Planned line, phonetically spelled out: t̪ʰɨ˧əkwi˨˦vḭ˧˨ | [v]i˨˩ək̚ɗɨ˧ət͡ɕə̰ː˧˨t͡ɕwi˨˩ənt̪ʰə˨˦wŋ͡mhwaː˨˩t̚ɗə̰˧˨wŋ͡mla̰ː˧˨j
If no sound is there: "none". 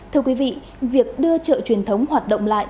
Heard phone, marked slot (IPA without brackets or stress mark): v